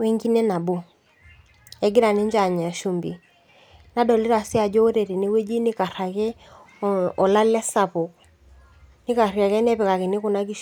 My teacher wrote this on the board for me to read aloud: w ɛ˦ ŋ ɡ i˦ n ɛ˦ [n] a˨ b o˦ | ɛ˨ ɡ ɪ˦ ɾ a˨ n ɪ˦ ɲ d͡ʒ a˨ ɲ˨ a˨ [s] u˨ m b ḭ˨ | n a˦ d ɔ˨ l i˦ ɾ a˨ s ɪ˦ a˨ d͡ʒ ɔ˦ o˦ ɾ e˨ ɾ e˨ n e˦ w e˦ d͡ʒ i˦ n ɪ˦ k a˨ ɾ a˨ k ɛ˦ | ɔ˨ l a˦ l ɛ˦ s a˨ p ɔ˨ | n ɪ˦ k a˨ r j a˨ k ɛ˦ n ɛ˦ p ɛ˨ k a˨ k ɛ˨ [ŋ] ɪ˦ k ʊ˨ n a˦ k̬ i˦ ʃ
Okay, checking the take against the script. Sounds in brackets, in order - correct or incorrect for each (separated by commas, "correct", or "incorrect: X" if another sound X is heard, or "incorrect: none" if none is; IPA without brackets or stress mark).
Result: correct, incorrect: ʃ, incorrect: n